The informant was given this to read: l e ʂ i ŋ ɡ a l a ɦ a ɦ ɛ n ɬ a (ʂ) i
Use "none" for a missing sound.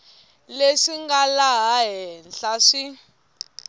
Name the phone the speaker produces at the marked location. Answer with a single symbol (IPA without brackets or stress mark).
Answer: ʂ